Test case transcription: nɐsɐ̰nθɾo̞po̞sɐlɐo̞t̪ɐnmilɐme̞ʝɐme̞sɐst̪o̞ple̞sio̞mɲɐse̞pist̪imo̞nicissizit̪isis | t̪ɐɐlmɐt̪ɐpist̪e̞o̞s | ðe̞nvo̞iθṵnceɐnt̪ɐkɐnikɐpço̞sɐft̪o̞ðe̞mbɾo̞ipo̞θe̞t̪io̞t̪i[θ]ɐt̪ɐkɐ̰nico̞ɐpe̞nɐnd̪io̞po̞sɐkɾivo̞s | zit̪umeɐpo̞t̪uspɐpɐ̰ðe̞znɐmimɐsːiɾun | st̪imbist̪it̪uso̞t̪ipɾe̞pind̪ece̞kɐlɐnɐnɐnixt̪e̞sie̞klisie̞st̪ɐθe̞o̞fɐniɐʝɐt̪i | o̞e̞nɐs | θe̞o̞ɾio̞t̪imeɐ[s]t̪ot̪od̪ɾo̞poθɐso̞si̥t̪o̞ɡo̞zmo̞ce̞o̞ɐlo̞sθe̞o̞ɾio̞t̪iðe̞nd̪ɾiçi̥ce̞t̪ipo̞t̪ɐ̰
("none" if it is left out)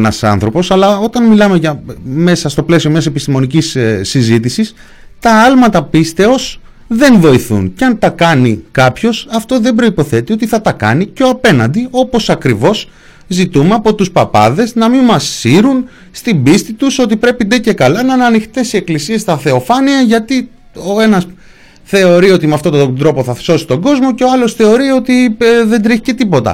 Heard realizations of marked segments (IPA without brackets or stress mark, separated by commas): θ, f